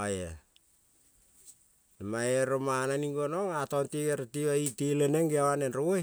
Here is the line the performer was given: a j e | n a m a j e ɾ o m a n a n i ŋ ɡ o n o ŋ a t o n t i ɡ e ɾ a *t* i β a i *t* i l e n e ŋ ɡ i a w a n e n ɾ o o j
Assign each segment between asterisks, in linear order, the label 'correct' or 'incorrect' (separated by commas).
correct, correct